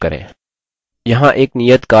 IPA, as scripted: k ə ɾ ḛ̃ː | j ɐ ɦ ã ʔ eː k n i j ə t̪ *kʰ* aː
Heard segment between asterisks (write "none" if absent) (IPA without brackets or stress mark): k